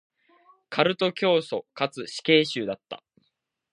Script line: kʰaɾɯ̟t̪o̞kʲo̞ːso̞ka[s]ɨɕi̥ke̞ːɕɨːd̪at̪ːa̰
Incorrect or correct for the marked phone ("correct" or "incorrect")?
incorrect